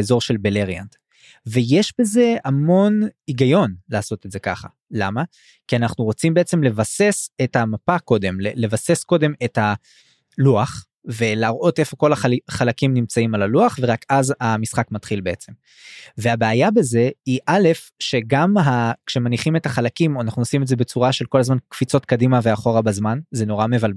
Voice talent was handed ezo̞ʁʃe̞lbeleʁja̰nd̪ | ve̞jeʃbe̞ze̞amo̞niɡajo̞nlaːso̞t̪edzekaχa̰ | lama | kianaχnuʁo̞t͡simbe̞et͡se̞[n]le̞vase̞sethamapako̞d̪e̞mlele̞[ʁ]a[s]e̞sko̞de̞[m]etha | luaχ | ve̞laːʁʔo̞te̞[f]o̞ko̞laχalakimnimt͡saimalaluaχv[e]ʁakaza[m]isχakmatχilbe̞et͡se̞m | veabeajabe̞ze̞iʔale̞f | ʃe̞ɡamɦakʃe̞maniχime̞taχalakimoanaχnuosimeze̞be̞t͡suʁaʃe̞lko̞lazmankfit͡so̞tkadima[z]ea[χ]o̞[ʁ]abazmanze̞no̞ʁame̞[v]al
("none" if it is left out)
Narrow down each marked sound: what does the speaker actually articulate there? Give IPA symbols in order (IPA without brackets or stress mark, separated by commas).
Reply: m, v, s, m, f, e, m, v, χ, ʁ, v